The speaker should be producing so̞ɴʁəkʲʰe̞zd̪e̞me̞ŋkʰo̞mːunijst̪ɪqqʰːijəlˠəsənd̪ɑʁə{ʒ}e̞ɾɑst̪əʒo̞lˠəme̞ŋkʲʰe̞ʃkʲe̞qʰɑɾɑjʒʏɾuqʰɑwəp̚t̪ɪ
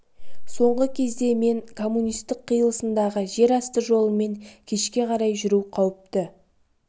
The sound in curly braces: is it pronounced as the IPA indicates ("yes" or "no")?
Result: yes